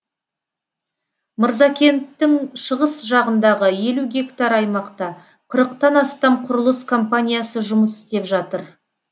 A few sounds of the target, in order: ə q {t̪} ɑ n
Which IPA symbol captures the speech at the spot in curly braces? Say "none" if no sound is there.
t̪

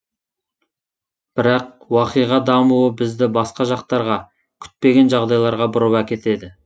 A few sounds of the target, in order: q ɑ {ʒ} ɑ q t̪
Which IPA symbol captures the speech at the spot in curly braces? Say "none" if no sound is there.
ʒ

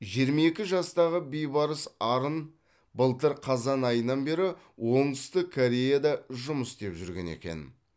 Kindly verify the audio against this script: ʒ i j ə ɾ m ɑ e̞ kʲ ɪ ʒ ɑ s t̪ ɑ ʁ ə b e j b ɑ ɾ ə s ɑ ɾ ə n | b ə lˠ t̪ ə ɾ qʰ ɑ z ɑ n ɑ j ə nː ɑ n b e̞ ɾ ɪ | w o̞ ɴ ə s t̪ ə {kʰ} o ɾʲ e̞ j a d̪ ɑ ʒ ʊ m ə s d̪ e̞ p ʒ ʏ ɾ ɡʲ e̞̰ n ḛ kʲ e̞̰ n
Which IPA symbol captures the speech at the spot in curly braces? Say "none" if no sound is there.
kʰ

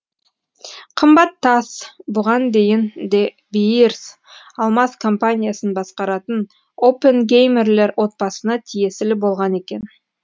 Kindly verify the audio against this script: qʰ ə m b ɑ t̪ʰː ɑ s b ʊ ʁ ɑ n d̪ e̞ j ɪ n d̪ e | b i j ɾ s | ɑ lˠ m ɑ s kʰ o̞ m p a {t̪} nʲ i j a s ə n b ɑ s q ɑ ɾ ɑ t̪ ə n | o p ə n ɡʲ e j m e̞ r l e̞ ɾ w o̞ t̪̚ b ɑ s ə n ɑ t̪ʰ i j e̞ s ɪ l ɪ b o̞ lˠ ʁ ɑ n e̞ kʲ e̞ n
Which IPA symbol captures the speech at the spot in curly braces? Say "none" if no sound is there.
none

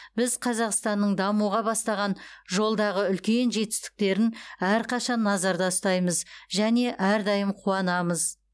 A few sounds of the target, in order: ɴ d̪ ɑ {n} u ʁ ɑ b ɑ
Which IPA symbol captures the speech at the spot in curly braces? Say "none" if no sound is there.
m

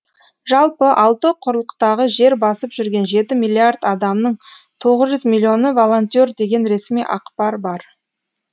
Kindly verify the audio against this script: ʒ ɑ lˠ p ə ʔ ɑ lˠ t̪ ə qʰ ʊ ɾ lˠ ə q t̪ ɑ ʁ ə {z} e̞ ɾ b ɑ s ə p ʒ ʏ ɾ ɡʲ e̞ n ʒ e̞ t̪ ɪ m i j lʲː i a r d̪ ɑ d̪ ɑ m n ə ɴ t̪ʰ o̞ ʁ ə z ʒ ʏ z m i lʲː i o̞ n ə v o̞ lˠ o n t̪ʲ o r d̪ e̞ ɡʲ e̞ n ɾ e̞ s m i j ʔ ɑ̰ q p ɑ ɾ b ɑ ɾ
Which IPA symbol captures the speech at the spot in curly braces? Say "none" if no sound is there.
ʒ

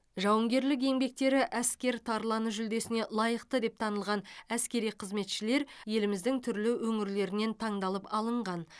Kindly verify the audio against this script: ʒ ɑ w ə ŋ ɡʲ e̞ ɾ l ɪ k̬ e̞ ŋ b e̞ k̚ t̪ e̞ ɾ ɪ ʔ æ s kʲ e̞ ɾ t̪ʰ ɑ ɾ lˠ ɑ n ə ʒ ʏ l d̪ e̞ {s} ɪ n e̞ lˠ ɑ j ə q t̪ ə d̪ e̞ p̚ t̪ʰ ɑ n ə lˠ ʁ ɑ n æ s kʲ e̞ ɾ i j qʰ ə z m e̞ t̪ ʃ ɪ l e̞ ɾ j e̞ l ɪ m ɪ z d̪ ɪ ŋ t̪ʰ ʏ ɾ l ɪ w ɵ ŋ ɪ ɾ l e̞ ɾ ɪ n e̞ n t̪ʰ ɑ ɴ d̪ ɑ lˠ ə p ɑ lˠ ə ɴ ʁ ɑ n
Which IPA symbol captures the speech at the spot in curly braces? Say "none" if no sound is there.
s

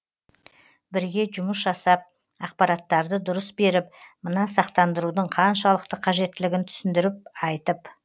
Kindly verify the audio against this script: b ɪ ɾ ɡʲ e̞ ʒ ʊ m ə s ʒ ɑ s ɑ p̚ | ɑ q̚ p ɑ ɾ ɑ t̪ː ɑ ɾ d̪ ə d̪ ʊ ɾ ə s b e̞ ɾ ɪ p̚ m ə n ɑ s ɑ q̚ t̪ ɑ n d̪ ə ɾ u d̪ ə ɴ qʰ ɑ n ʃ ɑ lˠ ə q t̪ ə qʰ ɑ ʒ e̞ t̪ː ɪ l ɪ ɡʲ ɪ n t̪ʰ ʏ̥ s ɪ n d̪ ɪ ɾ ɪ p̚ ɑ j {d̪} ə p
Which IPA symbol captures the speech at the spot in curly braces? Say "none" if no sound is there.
t̪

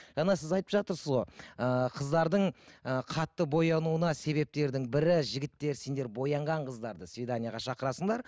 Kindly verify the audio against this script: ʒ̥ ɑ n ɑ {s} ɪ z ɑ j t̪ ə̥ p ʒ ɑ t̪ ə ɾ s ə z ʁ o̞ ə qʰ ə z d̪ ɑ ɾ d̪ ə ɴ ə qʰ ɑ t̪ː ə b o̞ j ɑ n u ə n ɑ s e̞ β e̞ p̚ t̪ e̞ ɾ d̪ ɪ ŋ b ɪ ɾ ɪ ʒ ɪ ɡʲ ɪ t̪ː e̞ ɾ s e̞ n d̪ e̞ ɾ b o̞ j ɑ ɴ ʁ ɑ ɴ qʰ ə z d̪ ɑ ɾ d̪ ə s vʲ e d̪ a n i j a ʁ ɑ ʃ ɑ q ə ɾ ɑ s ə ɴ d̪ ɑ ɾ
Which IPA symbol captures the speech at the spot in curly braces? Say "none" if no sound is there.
s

